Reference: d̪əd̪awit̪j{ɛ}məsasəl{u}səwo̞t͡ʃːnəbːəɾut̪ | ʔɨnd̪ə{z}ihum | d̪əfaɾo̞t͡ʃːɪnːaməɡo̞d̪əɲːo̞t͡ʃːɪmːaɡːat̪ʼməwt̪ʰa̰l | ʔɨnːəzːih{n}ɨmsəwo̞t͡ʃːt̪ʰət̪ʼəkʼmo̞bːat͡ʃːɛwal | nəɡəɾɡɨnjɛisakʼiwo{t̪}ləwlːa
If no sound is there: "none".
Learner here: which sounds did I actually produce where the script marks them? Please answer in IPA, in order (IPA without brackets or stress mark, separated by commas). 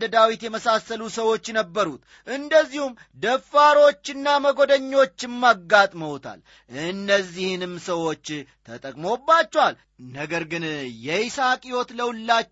ɛ, u, zː, n, t̪